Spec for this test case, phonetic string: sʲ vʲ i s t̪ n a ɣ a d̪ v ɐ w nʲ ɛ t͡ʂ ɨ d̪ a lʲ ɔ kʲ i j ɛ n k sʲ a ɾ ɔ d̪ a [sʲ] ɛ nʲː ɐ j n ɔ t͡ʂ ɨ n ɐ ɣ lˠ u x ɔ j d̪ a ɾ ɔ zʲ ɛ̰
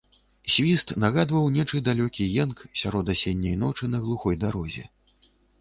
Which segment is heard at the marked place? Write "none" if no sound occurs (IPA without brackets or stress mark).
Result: sʲ